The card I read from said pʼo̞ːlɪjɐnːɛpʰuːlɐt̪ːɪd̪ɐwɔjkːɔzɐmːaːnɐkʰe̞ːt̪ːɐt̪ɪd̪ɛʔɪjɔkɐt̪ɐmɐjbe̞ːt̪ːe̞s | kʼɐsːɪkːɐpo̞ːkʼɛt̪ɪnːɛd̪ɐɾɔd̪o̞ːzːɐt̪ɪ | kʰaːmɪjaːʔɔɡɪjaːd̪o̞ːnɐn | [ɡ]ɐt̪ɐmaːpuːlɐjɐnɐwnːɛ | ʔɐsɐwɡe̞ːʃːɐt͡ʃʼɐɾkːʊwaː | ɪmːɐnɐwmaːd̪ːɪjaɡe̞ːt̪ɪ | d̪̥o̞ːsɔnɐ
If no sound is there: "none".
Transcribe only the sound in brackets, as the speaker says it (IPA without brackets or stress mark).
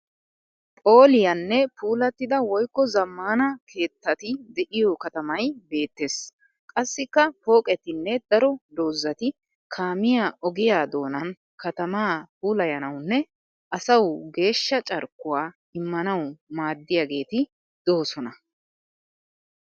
k